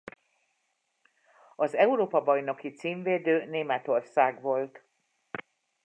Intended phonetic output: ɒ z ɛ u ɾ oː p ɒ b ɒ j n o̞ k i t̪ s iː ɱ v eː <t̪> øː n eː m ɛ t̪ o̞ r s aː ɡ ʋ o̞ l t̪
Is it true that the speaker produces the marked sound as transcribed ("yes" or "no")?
no